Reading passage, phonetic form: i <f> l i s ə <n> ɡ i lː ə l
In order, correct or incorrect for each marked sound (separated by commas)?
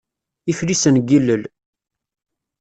correct, correct